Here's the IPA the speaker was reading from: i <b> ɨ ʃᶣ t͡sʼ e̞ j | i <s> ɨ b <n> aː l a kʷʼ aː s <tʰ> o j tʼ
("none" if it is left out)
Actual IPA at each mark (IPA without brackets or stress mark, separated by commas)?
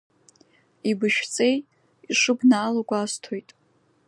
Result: b, ʂ, n, tʰ